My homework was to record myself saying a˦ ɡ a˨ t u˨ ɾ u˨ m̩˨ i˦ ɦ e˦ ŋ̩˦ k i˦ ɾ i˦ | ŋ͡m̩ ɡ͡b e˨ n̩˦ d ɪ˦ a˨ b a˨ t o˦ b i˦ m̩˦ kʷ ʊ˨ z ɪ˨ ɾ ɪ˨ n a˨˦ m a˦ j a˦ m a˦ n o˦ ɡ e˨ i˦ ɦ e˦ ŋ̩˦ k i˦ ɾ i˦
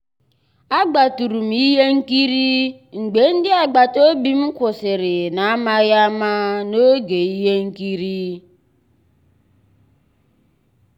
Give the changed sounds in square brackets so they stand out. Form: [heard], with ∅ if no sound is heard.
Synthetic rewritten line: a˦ [ɡ͡b] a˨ t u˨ ɾ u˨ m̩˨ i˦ ɦ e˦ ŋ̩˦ k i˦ ɾ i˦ | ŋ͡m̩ ɡ͡b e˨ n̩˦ d ɪ˦ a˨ [ɡ͡b] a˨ t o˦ b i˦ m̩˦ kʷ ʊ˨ [s] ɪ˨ ɾ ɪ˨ n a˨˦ m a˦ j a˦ m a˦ n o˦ ɡ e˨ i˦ ɦ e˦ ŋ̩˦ k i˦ ɾ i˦